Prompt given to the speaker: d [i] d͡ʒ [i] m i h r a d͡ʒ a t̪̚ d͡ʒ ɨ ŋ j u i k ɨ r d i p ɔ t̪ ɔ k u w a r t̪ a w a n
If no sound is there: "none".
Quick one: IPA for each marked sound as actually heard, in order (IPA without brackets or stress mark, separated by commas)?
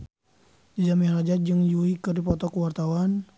i, a